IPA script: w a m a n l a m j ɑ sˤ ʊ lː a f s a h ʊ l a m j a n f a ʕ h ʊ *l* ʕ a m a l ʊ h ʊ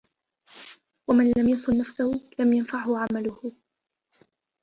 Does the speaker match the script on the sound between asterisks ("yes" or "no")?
no